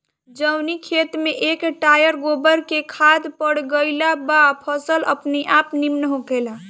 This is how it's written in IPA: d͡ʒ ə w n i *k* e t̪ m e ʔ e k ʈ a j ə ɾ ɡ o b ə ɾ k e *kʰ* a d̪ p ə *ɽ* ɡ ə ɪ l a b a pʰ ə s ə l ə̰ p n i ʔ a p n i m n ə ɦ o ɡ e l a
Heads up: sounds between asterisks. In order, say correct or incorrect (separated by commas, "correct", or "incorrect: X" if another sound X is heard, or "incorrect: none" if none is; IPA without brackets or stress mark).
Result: incorrect: kʰ, correct, correct